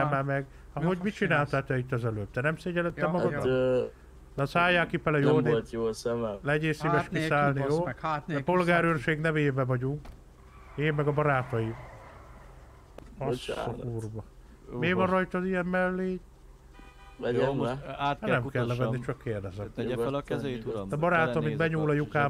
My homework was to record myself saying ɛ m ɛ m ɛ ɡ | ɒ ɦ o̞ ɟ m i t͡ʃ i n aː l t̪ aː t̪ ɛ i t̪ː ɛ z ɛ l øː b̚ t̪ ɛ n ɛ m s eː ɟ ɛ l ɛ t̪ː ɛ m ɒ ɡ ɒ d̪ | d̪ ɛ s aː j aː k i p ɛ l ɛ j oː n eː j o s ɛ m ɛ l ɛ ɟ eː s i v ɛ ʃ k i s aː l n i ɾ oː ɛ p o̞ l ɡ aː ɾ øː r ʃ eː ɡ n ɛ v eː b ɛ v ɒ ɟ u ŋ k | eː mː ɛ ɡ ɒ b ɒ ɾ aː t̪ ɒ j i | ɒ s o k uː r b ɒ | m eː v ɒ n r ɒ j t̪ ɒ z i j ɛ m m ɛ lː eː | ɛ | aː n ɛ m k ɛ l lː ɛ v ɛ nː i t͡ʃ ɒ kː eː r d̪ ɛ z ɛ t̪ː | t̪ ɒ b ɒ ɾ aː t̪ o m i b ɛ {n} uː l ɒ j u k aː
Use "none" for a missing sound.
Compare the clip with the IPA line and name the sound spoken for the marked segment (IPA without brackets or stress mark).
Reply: ɲ